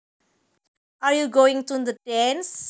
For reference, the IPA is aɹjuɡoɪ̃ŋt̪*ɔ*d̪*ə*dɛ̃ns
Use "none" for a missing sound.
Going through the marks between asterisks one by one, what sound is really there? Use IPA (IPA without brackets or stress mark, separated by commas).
u, ə